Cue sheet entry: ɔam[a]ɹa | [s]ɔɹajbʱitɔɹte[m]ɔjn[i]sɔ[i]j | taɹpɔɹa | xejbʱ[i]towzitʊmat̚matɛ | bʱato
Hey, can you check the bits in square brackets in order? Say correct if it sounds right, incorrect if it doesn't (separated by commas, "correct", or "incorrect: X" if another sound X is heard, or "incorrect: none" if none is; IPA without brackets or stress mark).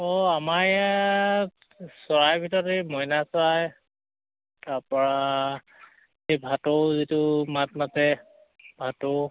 correct, correct, correct, incorrect: a, incorrect: a, incorrect: a